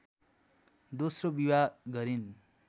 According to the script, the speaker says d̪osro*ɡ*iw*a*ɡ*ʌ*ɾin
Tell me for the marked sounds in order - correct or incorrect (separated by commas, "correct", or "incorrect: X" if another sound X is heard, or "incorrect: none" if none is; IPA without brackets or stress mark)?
incorrect: b, correct, correct